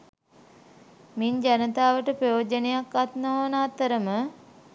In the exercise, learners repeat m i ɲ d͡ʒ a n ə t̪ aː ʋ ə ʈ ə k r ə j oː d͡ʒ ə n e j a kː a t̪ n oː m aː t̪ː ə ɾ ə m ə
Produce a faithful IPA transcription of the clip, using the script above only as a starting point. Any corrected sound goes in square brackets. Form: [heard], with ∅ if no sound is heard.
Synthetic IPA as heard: m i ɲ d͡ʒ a n ə t̪ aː ʋ ə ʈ ə [p] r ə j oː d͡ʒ ə n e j a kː a t̪ n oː [n] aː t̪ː ə ɾ ə m ə